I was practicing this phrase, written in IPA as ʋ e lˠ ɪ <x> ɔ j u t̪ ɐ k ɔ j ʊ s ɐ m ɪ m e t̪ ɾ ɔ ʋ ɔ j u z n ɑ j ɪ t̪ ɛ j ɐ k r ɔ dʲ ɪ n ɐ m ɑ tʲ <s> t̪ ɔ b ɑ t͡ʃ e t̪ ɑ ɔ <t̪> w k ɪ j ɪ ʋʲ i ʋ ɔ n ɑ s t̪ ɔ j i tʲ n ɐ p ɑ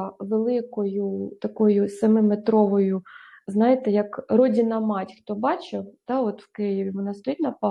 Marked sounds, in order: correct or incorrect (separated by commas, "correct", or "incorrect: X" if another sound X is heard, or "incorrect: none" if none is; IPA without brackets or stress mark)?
incorrect: k, incorrect: x, correct